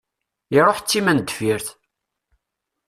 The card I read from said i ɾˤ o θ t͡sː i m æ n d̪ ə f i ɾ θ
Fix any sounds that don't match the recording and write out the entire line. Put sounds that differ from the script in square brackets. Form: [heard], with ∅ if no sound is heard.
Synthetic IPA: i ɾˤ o [ħ] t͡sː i m æ n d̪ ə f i ɾ θ